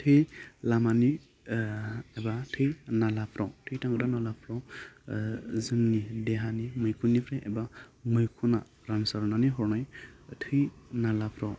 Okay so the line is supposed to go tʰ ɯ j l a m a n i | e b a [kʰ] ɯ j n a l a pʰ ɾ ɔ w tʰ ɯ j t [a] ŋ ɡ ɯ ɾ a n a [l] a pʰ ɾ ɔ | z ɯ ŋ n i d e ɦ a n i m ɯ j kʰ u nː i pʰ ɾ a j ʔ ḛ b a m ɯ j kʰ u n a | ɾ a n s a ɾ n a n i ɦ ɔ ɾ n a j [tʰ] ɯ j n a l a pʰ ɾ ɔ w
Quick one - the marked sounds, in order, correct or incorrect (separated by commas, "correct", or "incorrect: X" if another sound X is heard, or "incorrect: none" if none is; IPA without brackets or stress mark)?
incorrect: tʰ, correct, correct, correct